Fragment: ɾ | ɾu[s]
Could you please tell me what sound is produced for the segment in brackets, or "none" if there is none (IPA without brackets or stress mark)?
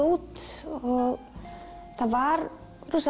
s